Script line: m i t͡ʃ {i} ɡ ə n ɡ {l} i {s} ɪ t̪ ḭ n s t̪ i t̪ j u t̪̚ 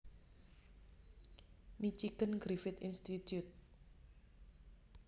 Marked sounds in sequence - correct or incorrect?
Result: correct, incorrect, incorrect

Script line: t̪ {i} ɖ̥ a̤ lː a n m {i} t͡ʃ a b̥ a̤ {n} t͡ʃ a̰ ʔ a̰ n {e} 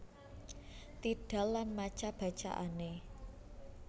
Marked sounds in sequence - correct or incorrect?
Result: correct, incorrect, incorrect, correct

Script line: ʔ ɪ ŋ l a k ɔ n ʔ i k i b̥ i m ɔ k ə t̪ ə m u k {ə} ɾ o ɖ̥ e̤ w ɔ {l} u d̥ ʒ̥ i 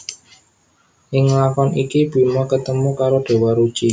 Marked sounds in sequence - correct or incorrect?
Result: incorrect, incorrect

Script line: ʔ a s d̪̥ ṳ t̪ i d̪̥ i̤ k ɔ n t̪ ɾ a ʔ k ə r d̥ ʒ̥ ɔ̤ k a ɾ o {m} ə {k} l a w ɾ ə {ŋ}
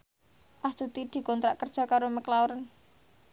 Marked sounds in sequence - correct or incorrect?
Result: correct, correct, incorrect

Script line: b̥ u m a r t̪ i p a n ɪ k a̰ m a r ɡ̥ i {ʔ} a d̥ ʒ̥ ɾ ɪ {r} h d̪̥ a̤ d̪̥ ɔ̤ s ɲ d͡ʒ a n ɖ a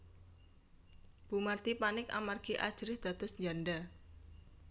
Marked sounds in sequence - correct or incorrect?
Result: correct, incorrect

